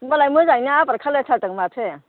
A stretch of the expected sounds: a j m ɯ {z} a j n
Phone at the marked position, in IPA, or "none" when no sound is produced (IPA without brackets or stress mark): z